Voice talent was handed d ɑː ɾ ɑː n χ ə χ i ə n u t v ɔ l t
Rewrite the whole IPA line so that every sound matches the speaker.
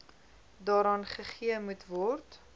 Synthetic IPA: d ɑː ɾ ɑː n χ ə χ i ə m u t v ɔ r t